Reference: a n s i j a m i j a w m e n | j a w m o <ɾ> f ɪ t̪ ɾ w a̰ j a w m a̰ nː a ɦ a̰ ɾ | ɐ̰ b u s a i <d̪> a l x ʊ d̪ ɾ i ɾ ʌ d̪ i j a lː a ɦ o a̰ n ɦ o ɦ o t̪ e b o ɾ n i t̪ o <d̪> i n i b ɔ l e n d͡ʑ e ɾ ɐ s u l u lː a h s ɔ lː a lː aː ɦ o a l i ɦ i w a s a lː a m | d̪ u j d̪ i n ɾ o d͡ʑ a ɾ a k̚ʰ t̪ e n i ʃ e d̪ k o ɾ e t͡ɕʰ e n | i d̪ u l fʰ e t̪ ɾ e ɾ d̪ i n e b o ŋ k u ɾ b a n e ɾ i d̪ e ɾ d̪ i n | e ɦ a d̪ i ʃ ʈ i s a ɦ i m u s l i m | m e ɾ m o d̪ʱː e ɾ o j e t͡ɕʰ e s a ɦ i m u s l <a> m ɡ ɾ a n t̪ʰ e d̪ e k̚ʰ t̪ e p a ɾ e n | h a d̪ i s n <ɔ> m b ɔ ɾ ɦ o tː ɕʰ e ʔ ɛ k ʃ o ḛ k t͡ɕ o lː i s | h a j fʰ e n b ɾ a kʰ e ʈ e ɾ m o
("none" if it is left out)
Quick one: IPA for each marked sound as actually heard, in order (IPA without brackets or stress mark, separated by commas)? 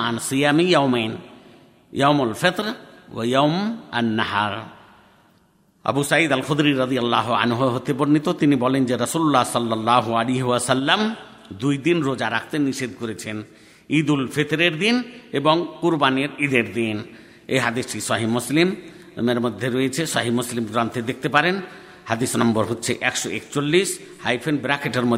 l, d̪, t̪, i, ɔ